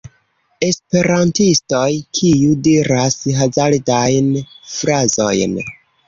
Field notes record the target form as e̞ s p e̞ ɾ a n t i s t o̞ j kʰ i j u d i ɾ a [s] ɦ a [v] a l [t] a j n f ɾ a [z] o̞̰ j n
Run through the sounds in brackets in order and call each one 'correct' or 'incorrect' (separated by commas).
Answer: correct, incorrect, incorrect, correct